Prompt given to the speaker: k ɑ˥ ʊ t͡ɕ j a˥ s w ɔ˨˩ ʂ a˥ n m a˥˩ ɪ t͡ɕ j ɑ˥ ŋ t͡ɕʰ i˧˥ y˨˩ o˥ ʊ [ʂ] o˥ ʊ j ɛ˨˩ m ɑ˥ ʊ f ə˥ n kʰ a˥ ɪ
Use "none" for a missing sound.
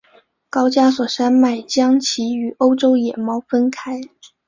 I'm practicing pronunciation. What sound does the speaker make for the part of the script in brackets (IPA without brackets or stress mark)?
ʈ͡ʂ